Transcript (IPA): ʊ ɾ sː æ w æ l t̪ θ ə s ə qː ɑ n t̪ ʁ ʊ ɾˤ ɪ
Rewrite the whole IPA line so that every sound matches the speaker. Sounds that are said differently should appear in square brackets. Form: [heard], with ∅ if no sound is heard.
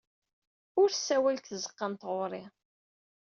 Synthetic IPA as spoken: ʊ ɾ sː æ w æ l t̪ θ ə [z] ə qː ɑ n t̪ ʁ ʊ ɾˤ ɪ